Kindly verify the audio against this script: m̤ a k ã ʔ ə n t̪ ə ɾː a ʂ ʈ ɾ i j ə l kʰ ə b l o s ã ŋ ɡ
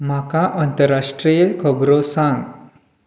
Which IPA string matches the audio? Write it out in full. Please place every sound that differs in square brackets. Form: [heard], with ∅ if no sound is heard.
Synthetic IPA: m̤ a k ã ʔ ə n t̪ ə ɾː a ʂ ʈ ɾ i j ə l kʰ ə b [ɾ] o s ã ŋ ɡ